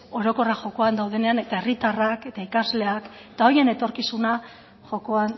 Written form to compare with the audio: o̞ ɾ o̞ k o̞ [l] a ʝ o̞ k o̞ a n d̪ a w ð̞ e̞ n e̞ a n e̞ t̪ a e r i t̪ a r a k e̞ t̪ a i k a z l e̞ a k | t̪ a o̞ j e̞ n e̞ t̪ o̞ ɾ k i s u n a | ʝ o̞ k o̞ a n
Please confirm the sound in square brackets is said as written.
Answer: no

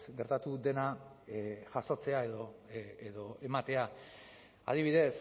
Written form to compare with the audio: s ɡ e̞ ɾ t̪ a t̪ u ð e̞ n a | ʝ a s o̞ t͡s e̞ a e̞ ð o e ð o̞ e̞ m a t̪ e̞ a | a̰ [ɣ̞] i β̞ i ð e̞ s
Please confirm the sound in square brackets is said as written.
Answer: no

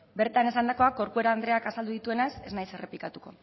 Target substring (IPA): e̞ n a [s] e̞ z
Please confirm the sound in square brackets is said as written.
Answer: yes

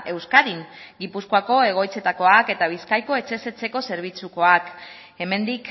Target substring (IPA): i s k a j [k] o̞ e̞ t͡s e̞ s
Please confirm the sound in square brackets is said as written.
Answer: yes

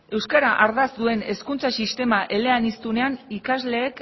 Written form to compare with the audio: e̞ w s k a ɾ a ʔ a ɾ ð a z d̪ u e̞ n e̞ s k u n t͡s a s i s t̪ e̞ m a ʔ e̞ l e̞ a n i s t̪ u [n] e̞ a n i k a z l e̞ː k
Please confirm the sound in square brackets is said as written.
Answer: yes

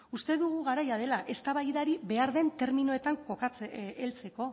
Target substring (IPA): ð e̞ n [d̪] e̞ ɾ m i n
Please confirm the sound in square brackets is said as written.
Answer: no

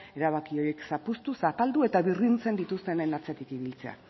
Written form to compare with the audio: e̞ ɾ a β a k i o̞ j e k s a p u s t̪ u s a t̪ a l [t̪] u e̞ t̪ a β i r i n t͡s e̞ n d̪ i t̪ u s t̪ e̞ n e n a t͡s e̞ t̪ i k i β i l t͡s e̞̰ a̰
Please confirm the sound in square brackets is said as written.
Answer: no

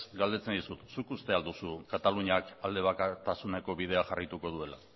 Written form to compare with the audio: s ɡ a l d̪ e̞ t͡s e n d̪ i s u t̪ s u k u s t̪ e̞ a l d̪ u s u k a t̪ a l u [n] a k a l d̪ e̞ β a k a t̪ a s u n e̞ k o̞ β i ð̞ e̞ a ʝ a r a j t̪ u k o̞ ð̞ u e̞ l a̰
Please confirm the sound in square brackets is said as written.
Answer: no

